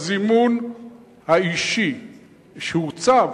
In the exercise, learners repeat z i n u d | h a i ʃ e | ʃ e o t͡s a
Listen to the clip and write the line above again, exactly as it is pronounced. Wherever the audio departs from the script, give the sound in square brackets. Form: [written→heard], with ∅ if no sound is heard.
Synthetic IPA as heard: z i [n→m] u [d→n] | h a i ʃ [e→i] | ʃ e [o→u] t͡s a